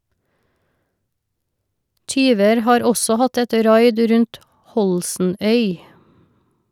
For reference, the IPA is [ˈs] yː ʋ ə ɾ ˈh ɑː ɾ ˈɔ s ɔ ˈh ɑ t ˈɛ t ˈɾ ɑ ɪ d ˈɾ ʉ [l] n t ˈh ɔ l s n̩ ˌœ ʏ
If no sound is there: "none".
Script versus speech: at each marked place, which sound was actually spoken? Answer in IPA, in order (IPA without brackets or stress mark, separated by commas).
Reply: t, none